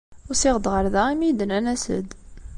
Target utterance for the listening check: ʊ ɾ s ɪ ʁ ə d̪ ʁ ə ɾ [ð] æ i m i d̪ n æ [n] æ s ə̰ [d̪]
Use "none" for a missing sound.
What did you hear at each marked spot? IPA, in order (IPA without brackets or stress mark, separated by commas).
ð, n, d̪